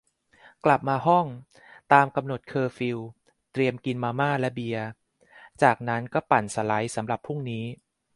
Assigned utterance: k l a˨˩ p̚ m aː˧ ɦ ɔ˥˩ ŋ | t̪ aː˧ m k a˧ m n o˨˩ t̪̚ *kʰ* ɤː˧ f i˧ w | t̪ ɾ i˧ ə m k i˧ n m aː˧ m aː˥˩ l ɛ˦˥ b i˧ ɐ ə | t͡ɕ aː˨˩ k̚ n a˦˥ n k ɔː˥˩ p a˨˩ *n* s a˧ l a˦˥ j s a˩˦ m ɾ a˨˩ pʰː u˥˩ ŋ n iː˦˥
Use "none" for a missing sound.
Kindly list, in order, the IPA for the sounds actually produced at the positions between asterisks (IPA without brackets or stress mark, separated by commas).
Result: kʰ, n